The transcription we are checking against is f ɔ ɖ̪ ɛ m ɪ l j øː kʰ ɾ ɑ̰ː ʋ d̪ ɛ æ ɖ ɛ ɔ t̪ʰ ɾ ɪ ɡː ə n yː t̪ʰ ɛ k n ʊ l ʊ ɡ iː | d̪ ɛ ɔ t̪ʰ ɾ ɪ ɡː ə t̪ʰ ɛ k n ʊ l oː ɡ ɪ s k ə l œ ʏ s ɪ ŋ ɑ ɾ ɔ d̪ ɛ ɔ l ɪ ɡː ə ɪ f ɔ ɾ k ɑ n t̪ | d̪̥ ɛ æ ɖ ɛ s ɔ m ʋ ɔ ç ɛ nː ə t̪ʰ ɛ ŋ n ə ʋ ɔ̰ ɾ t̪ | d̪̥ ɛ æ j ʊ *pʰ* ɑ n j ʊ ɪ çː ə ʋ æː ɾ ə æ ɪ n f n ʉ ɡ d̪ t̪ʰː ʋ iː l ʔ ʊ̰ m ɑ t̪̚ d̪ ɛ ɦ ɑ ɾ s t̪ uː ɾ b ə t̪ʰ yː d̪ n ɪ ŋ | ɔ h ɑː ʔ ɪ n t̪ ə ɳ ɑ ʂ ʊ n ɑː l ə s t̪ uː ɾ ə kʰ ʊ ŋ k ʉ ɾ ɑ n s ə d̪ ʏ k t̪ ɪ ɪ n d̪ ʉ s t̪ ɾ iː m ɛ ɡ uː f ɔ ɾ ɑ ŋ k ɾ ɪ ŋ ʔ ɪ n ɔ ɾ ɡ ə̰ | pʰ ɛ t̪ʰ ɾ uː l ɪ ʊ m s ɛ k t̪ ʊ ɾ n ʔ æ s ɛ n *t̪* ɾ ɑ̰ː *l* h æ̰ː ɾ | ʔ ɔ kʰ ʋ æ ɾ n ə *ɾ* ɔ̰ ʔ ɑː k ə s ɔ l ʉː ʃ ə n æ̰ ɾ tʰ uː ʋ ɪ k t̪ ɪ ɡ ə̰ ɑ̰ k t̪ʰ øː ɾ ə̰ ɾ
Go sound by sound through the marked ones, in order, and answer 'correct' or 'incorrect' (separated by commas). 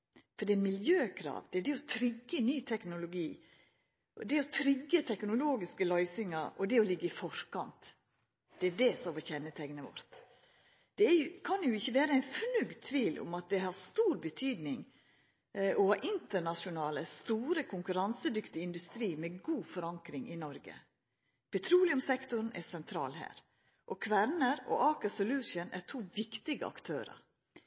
incorrect, incorrect, correct, correct